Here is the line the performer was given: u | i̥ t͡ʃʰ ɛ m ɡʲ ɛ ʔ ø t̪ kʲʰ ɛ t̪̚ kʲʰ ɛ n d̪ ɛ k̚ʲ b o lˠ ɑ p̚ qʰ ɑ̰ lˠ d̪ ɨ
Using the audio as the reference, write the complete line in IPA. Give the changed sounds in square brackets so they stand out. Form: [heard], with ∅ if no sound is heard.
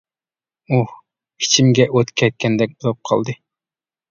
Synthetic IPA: u | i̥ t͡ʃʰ [i] m ɡʲ ɛ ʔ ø t̪ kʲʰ ɛ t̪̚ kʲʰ ɛ n d̪ ɛ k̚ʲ b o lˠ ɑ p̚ qʰ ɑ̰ lˠ d̪ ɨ